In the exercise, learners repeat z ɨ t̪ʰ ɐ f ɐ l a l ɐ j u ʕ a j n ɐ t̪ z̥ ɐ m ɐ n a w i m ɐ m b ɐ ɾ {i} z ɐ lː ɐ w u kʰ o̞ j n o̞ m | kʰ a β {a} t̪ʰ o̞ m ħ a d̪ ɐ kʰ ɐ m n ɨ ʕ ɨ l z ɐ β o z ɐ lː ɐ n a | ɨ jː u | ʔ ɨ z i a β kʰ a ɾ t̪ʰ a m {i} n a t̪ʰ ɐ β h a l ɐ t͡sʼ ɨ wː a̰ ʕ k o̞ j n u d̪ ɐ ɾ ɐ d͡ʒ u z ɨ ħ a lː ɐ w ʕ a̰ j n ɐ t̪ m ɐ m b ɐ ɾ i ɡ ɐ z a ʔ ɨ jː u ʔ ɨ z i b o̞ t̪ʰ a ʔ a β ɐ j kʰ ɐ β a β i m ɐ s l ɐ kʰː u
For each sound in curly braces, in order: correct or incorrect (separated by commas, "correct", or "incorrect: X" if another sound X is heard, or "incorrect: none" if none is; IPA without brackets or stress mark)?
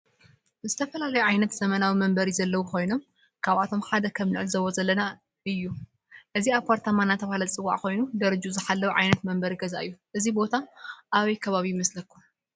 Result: correct, correct, incorrect: a